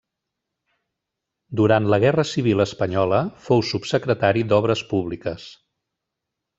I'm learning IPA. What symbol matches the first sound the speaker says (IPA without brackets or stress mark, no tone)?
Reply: d̪